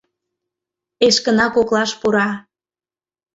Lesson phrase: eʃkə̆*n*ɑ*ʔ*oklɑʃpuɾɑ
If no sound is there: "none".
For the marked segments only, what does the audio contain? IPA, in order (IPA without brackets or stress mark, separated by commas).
n, k